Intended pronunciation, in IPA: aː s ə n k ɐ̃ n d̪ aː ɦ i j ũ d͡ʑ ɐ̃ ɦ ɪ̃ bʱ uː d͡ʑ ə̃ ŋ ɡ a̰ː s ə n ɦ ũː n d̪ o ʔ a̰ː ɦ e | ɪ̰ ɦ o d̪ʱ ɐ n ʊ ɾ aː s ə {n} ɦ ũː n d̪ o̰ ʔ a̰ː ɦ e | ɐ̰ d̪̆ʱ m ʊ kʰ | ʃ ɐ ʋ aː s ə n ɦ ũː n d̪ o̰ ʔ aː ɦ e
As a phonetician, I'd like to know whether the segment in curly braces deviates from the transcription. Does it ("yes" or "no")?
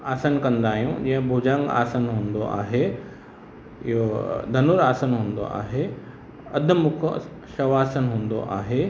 no